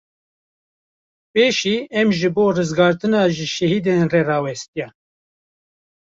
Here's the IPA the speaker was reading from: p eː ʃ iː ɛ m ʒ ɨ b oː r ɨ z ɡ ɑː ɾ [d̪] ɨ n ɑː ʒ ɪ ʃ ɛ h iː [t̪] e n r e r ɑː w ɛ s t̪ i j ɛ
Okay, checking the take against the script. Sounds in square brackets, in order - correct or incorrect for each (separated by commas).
incorrect, incorrect